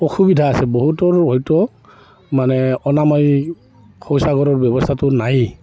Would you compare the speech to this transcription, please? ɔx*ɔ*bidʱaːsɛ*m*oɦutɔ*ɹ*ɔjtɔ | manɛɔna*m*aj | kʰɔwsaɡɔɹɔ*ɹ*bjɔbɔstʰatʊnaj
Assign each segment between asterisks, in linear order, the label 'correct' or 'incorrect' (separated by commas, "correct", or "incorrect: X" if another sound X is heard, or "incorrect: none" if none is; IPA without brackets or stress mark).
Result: incorrect: u, incorrect: b, correct, correct, correct